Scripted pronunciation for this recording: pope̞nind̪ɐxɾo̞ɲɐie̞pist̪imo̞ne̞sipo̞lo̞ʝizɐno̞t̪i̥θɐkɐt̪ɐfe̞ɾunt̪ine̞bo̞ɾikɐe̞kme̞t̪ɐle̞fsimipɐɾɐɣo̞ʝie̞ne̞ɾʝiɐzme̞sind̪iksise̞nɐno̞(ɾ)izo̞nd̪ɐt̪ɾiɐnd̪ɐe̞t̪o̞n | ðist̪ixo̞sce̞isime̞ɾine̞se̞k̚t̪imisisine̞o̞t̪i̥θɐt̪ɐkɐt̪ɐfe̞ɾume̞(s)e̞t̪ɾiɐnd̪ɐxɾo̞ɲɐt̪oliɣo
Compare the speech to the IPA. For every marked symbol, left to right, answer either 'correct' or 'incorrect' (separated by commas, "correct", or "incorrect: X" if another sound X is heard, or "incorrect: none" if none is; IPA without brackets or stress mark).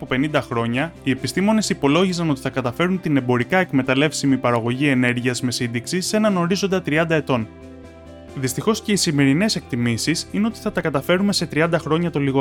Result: correct, correct